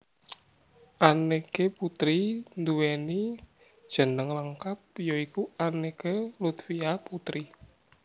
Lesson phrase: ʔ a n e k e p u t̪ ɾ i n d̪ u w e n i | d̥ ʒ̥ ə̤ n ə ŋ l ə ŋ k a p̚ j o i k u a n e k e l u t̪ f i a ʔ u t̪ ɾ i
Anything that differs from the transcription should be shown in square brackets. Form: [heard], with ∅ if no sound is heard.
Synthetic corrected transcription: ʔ a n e k e p u t̪ ɾ i n d̪ u w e n i | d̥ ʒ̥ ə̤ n ə ŋ l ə ŋ k a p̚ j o i k u a n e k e l u t̪ f i a [p] u t̪ ɾ i